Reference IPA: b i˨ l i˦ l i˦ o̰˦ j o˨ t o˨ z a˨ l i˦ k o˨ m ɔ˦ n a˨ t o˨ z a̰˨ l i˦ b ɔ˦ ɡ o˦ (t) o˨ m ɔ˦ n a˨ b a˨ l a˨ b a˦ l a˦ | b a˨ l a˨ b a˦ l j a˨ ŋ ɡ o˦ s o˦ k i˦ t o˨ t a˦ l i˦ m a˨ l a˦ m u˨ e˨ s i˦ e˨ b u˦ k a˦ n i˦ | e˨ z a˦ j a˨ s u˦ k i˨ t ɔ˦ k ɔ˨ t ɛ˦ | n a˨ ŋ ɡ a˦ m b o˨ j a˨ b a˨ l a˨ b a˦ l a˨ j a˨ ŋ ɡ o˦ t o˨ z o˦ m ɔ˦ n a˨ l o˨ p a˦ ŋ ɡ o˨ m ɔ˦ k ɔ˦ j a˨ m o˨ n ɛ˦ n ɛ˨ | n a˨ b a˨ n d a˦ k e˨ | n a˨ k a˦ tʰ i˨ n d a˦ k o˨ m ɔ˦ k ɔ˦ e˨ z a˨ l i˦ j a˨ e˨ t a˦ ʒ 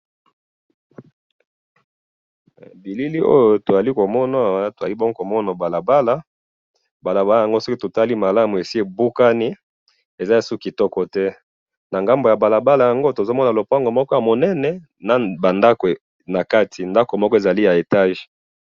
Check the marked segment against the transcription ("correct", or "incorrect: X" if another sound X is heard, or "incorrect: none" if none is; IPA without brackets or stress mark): incorrect: k